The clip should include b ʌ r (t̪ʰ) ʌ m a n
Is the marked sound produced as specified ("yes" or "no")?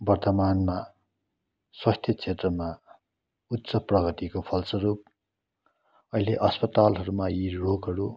no